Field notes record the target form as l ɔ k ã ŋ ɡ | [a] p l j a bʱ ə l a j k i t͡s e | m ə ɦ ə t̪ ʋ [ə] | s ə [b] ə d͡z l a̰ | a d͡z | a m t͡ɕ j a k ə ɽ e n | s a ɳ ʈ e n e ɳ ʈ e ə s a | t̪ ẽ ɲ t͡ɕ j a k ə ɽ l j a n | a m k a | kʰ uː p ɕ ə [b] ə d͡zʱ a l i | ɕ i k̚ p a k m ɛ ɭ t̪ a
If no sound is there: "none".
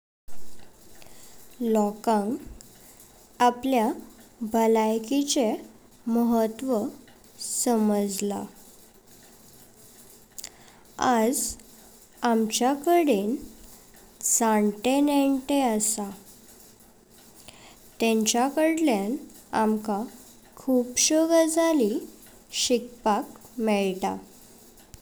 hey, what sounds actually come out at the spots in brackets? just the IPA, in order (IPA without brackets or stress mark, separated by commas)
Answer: a, ə, m, ɡ